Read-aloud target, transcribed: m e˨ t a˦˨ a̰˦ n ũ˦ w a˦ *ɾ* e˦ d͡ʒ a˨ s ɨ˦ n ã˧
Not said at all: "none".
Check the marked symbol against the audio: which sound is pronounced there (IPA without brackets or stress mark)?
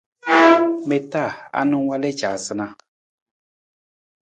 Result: l